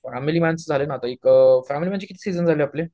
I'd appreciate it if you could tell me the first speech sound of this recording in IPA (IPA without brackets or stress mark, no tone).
f